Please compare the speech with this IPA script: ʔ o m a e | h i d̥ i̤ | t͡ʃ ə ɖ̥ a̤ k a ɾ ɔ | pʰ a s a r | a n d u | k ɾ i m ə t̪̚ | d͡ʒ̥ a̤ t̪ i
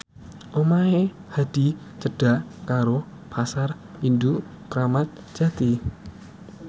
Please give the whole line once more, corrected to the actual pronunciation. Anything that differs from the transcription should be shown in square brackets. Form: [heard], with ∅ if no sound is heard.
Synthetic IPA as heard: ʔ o m a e | h [a] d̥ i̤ | t͡ʃ ə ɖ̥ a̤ k a ɾ [o] | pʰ a s a r | [i] n d u | k ɾ [a] m [a] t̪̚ | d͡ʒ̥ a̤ t̪ i